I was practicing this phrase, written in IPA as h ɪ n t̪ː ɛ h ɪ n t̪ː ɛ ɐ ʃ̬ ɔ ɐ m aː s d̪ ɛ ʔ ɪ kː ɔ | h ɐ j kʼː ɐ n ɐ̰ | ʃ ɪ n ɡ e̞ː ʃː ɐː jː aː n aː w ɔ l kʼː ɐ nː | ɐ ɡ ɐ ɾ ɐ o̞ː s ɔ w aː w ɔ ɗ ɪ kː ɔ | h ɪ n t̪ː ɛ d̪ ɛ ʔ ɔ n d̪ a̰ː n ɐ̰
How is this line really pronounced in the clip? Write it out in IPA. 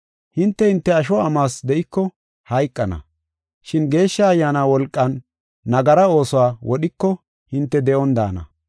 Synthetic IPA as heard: h ɪ n t̪ː ɛ h ɪ n t̪ː ɛ ɐ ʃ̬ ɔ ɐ m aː s d̪ ɛ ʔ ɪ kː ɔ | h ɐ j kʼː ɐ n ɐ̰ | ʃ ɪ n ɡ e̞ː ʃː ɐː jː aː n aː w ɔ l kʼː ɐ nː | ɐ ɡ ɐ ɾ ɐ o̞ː s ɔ w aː w ɔ ɗ ɪ kː ɔ | h ɪ n t̪ː ɛ d̪ ɛ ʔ ɔ n d̪ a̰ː n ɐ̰

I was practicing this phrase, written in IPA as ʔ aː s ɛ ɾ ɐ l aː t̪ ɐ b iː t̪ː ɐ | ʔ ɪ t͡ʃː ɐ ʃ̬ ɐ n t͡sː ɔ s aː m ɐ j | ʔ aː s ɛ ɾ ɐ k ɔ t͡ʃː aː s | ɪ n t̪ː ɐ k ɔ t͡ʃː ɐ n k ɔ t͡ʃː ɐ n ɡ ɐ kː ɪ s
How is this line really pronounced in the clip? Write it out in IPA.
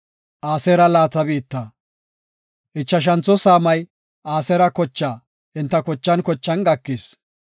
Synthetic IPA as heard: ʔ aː s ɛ ɾ ɐ l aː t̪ ɐ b iː t̪ː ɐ | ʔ ɪ t͡ʃː ɐ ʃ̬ ɐ n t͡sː ɔ s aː m ɐ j | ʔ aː s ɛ ɾ ɐ k ɔ t͡ʃː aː | ɪ n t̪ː ɐ k ɔ t͡ʃː ɐ n k ɔ t͡ʃː ɐ n ɡ ɐ kː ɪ s

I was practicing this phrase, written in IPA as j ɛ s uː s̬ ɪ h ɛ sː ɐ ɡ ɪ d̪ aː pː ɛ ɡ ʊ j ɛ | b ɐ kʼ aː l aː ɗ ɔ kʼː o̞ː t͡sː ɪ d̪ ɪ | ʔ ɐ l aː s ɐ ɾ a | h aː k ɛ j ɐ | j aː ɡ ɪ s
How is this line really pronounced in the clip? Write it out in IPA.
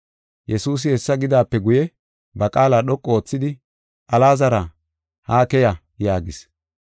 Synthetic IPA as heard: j ɛ s uː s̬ ɪ h ɛ sː ɐ ɡ ɪ d̪ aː pː ɛ ɡ ʊ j ɛ | b ɐ kʼ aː l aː ɗ ɔ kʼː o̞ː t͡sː ɪ d̪ ɪ | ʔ ɐ l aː z ɐ ɾ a | h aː k ɛ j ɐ | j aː ɡ ɪ s

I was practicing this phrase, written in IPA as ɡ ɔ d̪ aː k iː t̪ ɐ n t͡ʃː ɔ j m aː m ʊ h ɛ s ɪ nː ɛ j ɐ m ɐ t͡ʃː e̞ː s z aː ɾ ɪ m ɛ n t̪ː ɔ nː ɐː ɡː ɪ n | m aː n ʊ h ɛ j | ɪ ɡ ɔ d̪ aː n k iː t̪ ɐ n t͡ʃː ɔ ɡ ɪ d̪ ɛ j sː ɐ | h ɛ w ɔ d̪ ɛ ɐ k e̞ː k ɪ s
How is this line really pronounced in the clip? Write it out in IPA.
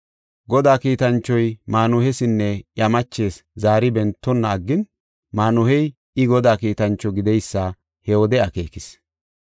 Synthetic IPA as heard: ɡ ɔ d̪ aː k iː t̪ ɐ n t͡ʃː ɔ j m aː n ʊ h ɛ s ɪ nː ɛ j ɐ m ɐ t͡ʃː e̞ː s z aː ɾ ɪ b ɛ n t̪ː ɔ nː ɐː ɡː ɪ n | m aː n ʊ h ɛ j | ɪ ɡ ɔ d̪ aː k iː t̪ ɐ n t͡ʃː ɔ ɡ ɪ d̪ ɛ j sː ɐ | h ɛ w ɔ d̪ ɛ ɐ k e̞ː k ɪ s

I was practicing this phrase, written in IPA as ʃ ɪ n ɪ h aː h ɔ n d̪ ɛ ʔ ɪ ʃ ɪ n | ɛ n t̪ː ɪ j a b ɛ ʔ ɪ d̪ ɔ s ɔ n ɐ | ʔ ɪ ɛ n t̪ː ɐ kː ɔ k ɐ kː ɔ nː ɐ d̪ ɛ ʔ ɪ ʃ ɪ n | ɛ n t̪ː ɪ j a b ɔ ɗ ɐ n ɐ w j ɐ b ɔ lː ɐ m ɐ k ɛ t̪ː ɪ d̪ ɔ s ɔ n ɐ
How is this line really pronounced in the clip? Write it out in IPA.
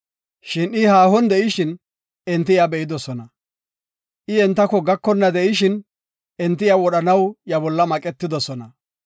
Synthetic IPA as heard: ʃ ɪ n ɪ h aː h ɔ n d̪ ɛ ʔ ɪ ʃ ɪ n | ɛ n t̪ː ɪ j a b ɛ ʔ ɪ d̪ ɔ s ɔ n ɐ | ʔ ɪ ɛ n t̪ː ɐ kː ɔ ɡ ɐ kː ɔ nː ɐ d̪ ɛ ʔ ɪ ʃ ɪ n | ɛ n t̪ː ɪ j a w ɔ ɗ ɐ n ɐ w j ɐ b ɔ lː ɐ m ɐ kʼ ɛ t̪ː ɪ d̪ ɔ s ɔ n ɐ

